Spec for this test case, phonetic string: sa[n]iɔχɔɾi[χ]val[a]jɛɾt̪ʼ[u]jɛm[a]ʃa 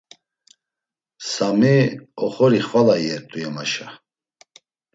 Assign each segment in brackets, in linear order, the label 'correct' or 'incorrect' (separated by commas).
incorrect, correct, correct, correct, correct